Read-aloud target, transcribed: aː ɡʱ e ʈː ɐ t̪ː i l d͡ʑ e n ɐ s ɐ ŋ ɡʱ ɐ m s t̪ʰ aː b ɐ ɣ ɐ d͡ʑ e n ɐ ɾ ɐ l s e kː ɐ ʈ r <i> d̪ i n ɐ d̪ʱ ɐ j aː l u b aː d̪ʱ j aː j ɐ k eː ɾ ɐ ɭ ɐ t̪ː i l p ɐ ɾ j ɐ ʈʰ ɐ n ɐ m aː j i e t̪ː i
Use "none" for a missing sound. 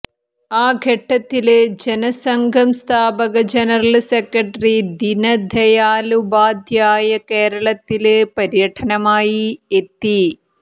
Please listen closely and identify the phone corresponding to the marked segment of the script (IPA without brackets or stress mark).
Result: i